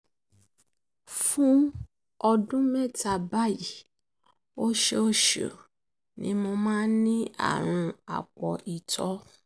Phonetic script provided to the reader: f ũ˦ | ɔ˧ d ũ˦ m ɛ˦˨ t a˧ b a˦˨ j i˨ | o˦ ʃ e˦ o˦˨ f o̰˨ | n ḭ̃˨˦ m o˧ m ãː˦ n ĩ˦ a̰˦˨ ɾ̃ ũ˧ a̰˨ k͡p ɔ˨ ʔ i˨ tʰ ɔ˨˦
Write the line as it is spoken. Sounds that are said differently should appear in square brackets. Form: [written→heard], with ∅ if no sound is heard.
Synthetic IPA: f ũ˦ | ɔ˧ d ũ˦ m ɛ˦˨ t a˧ b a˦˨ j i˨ | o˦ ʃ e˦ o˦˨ [f→ʃ] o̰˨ | n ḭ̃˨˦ m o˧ m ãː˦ n ĩ˦ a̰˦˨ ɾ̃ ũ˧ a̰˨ k͡p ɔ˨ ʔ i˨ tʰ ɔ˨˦